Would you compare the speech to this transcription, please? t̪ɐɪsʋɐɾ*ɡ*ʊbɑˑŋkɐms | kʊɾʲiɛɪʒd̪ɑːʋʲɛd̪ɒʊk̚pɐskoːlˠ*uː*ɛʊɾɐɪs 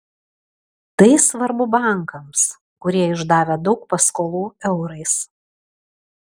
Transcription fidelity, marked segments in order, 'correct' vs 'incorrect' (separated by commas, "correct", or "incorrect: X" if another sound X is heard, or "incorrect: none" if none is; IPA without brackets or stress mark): incorrect: b, correct